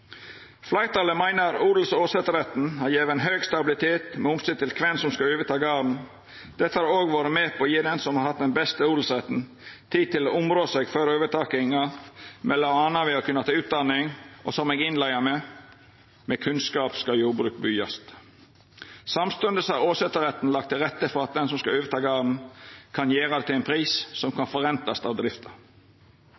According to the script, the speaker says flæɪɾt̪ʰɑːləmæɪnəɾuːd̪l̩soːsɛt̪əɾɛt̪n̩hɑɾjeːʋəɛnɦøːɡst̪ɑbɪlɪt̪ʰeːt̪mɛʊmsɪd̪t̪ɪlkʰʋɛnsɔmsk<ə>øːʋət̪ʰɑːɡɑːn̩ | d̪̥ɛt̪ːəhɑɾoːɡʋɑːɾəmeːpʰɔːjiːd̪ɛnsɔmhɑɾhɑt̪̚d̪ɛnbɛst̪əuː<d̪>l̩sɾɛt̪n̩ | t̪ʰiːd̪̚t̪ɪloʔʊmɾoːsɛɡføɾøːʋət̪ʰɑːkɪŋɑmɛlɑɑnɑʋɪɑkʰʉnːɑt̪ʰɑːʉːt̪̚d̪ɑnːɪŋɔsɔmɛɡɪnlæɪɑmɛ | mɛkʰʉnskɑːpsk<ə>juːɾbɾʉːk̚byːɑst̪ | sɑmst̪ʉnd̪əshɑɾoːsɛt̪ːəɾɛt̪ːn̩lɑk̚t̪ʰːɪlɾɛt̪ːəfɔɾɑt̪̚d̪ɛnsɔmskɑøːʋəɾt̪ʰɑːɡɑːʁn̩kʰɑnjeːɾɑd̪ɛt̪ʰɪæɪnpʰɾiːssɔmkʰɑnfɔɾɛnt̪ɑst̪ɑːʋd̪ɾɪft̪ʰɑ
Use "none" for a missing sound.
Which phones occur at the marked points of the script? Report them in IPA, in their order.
ɑ, d̪, ɑ

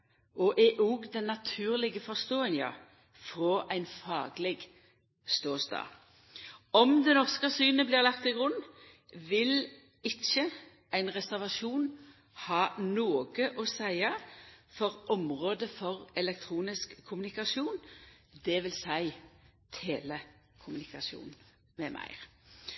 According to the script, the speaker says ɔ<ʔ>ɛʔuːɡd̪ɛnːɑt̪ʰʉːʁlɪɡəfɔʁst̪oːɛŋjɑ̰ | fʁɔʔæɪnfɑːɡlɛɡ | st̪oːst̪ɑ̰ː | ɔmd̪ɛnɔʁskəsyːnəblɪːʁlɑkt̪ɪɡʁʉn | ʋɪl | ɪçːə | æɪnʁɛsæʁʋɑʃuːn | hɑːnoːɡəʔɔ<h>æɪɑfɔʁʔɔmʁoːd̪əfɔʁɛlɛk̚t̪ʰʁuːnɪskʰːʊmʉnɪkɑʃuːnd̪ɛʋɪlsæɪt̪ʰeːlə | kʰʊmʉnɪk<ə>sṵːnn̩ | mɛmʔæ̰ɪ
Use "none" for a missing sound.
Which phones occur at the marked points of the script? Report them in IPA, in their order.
ʔ, s, ɑ

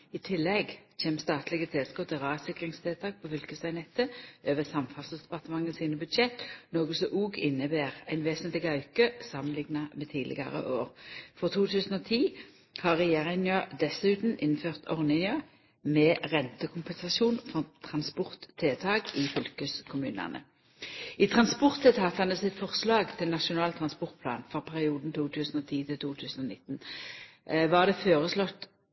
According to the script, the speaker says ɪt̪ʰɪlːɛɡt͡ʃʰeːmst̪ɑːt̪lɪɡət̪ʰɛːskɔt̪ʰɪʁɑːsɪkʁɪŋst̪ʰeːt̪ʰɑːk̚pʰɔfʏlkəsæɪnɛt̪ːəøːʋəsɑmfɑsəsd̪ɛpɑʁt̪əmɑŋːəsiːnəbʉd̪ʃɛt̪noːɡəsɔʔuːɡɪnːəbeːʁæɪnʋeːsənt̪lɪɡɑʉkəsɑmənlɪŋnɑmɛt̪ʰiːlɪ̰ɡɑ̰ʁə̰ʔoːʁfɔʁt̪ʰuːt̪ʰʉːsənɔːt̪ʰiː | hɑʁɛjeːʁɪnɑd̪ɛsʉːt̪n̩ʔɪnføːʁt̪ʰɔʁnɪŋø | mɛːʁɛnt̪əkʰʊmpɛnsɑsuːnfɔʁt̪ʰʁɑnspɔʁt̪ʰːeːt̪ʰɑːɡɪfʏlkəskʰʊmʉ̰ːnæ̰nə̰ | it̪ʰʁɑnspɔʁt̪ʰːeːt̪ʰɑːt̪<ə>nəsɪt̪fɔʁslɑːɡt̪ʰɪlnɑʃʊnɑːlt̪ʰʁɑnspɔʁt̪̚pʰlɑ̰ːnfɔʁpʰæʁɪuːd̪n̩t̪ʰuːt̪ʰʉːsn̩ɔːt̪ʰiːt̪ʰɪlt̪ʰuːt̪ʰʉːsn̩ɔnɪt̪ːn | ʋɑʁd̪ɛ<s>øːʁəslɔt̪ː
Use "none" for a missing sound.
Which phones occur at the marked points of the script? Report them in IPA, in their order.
ɑ, f

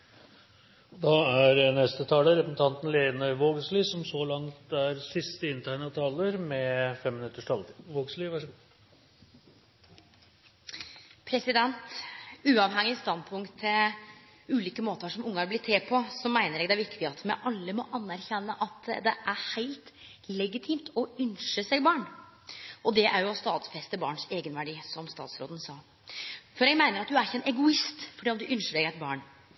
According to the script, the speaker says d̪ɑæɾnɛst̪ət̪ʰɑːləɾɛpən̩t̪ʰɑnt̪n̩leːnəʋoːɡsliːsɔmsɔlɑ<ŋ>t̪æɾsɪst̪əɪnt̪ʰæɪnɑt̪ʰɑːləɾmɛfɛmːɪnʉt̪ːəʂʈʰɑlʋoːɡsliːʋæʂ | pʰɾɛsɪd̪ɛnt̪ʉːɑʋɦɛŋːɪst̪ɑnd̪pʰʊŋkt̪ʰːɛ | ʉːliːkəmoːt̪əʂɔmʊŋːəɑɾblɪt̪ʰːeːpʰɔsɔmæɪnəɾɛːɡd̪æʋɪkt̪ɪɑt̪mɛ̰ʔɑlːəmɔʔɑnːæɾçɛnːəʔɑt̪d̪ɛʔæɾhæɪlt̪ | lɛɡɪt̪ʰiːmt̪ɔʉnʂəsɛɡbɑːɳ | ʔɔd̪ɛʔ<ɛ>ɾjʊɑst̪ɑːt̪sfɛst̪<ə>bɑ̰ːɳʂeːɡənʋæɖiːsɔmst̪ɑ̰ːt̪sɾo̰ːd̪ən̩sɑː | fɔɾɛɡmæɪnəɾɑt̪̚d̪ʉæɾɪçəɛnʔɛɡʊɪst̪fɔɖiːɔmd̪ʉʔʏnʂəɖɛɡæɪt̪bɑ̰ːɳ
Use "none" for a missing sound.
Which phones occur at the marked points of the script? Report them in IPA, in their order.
ŋ, æ, ə

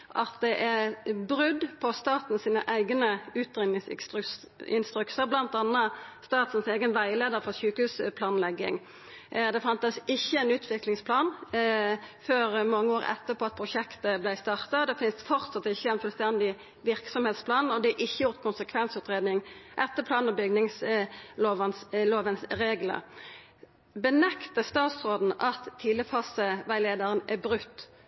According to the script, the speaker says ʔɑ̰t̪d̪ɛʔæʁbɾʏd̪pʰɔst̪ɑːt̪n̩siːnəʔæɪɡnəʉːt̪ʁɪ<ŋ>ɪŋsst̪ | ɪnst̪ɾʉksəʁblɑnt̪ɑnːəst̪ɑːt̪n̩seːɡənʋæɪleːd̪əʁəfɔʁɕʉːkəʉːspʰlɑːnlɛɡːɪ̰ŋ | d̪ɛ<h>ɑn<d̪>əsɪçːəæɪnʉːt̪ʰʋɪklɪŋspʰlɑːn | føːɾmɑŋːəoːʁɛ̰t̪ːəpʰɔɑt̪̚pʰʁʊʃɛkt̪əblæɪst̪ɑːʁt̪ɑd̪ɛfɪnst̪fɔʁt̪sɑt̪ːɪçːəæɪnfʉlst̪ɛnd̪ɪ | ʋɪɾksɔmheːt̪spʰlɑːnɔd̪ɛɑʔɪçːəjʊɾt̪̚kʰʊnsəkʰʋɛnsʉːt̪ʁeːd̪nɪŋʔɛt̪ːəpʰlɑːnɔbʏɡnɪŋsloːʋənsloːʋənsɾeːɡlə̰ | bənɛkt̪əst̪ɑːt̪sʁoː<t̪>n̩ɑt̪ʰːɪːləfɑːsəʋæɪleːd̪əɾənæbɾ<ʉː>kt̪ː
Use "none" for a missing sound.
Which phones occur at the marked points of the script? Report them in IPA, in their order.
n, f, t̪, d̪, ʉ

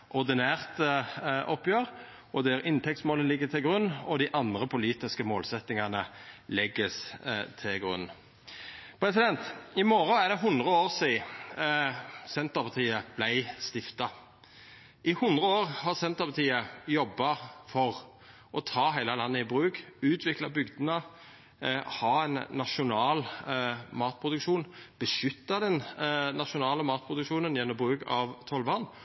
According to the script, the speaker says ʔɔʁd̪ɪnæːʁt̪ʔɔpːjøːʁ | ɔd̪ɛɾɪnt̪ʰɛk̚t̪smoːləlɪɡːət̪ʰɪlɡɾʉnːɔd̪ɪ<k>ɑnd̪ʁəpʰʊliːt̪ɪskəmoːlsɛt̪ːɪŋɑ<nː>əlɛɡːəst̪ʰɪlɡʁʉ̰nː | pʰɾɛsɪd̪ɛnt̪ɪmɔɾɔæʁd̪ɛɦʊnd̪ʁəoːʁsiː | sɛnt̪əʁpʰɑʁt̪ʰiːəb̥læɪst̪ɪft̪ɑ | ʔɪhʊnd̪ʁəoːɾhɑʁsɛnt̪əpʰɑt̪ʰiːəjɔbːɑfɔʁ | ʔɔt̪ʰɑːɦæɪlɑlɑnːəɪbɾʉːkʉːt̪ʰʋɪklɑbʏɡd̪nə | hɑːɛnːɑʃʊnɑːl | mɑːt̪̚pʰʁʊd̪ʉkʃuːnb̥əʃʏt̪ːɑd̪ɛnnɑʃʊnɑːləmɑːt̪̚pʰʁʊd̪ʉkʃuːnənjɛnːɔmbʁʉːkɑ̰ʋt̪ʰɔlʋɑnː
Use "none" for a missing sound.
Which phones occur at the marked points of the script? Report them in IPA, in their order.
ʔ, n

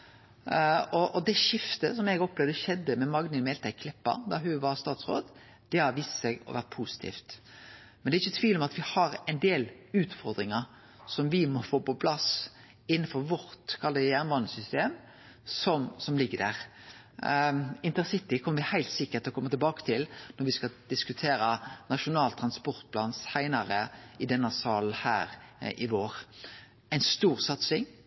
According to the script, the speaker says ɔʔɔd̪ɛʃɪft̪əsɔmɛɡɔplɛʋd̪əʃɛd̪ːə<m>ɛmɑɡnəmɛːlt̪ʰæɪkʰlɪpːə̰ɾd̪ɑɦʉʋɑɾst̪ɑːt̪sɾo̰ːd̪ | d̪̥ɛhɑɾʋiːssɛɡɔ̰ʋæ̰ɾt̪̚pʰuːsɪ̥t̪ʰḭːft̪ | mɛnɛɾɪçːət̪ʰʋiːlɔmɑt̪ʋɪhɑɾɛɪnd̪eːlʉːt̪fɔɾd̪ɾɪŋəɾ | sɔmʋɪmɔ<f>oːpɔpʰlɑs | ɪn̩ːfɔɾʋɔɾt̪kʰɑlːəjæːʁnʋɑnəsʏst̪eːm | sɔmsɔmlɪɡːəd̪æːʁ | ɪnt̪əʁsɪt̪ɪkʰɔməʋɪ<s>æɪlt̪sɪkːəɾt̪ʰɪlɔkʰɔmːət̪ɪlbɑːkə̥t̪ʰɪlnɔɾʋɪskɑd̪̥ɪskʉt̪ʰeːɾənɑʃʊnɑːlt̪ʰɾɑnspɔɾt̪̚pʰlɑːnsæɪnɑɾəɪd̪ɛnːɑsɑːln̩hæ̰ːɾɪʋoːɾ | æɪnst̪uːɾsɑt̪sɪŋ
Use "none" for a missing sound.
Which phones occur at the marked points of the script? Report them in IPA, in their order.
m, f, h

